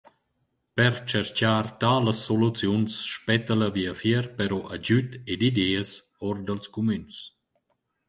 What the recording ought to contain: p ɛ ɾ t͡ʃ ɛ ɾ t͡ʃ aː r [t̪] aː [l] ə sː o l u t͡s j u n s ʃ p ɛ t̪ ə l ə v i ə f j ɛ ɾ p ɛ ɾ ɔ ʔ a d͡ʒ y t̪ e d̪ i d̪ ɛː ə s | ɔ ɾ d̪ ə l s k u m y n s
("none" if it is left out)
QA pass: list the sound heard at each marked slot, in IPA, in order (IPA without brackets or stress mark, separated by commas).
t̪, l